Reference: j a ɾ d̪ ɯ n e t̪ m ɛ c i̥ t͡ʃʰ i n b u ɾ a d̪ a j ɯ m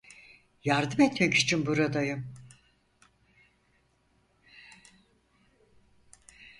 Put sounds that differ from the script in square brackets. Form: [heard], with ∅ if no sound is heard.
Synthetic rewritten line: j a ɾ d̪ ɯ [m] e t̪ m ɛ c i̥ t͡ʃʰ i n b u ɾ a d̪ a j ɯ m